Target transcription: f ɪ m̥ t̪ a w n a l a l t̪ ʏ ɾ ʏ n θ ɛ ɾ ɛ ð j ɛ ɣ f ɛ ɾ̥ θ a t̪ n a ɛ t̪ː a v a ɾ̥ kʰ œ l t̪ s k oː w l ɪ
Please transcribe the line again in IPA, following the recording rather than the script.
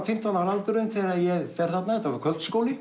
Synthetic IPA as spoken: f ɪ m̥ t̪ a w n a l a l t̪ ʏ ɾ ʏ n θ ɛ ɾ a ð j ɛ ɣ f ɛ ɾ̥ θ a t̪ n a ɛ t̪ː a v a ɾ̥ kʰ œ l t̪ s k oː w l ɪ